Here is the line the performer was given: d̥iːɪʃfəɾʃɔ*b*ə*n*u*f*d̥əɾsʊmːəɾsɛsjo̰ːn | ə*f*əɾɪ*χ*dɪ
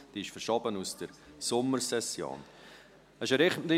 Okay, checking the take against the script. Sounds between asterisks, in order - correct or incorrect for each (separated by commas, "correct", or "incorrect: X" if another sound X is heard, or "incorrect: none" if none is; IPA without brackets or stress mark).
correct, correct, incorrect: s, incorrect: ʃ, correct